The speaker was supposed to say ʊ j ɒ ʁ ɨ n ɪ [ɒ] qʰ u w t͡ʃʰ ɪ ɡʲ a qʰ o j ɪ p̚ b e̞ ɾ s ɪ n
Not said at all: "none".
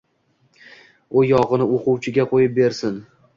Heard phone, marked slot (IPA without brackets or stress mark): o